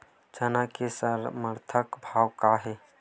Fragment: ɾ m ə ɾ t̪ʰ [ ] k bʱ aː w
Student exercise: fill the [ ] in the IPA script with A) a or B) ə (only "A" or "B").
B